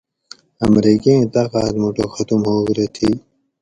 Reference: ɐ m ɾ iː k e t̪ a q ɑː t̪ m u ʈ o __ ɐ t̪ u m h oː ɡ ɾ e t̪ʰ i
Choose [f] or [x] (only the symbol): x